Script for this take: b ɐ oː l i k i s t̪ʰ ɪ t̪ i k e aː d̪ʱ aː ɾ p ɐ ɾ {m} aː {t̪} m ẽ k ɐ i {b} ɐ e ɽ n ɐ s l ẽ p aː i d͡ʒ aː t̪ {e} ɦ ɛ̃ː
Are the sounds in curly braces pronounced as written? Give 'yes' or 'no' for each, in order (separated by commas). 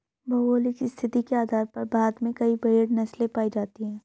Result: no, no, yes, no